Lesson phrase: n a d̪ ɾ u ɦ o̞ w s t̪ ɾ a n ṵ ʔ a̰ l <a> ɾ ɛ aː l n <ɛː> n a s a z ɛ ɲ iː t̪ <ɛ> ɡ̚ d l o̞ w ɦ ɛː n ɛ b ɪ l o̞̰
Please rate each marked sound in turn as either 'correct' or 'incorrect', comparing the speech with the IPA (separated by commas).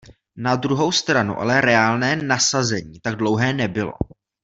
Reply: incorrect, correct, incorrect